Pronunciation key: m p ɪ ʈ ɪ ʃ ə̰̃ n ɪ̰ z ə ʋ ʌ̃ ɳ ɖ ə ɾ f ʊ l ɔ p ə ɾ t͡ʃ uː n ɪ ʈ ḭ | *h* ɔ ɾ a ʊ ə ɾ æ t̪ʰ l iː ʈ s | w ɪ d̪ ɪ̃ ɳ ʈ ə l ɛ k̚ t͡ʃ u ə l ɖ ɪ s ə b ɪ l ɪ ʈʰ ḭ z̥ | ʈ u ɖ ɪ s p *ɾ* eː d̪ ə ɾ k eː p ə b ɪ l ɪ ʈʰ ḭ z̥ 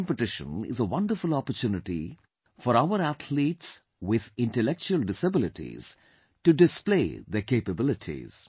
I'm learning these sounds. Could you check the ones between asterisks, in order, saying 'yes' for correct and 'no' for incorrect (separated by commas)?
no, no